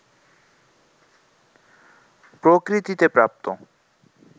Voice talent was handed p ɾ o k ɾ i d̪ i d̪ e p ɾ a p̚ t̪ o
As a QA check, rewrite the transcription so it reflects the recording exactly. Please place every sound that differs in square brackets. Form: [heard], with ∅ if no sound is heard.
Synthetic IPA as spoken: p ɾ o k ɾ i [t̪] i [t̪] e p ɾ a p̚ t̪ o